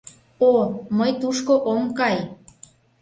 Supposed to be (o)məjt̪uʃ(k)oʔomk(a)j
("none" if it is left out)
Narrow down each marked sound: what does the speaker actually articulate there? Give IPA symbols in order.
o, k, ɑ

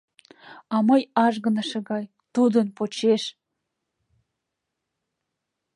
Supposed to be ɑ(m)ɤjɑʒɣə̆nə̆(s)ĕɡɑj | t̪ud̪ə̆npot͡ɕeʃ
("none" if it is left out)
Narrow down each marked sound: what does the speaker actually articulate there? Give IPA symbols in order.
m, ʃ

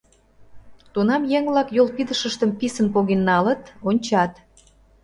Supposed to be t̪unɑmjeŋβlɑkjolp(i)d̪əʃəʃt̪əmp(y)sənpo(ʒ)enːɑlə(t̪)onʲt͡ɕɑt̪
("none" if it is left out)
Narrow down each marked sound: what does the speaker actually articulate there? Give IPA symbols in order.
i, i, ɣ, t̪

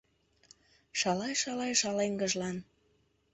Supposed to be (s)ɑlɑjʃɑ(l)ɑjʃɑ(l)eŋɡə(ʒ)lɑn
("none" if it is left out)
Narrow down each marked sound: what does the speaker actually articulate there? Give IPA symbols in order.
ʃ, l, l, ʒ

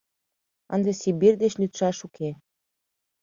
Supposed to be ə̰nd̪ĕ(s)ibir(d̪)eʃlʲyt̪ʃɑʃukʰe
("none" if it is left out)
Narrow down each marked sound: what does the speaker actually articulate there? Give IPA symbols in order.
s, d̪

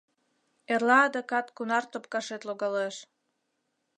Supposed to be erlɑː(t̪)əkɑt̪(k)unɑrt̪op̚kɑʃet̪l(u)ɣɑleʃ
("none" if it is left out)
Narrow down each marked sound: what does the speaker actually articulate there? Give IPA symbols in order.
d̪, k, o

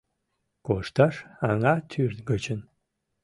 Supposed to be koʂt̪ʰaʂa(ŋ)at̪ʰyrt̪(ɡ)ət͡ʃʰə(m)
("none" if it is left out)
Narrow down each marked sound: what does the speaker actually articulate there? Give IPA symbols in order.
ŋ, ɡ, n

